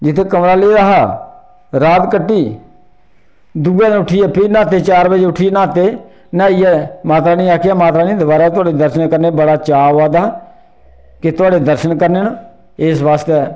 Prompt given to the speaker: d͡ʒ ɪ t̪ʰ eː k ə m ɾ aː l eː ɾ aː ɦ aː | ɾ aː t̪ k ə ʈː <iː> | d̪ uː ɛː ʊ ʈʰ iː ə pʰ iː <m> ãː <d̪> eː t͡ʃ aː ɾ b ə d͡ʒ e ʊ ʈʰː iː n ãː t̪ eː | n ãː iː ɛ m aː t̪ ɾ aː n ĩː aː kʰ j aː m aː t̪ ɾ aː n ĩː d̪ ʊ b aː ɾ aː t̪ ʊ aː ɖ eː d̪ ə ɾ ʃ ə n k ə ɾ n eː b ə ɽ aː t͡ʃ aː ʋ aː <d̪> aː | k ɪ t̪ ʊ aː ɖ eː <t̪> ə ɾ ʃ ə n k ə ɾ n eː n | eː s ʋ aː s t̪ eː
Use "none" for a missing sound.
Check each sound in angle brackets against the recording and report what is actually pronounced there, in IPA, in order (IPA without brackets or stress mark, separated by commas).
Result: iː, n, t̪, d̪, d̪